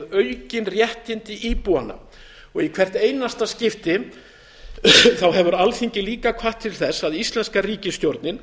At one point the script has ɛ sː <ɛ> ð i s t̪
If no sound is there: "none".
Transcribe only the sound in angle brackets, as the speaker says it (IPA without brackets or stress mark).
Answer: a